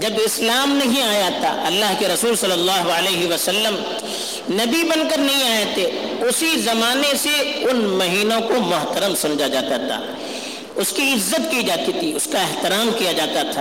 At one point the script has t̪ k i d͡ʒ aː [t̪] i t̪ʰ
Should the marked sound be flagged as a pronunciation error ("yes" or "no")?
no